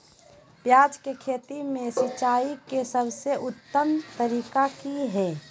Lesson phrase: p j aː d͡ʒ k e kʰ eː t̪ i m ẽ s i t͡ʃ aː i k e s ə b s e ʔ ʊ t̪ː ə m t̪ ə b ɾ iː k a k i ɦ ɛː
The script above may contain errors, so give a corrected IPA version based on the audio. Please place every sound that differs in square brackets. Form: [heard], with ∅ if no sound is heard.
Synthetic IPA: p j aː d͡ʒ k e kʰ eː t̪ i m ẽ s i t͡ʃ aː i k e s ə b s e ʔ ʊ t̪ː ə m t̪ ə [∅] ɾ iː k a k i ɦ ɛː